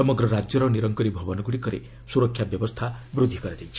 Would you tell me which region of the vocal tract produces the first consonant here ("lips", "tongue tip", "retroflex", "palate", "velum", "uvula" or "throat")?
lips